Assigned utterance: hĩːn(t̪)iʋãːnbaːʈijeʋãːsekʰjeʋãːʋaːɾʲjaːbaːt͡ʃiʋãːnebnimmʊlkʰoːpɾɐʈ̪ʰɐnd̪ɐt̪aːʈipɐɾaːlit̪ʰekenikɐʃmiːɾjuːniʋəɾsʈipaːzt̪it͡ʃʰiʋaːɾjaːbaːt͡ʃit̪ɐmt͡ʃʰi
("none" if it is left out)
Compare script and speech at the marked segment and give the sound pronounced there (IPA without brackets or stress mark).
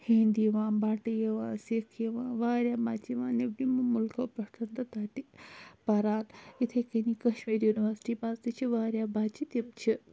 d̪